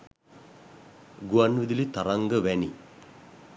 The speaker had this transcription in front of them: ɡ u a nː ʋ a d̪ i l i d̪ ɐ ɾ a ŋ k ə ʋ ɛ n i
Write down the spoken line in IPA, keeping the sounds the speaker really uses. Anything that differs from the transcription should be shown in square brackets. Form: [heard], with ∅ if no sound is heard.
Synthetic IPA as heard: ɡ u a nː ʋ [i] d̪ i l i [t̪] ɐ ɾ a ŋ [ɡ] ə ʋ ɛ n i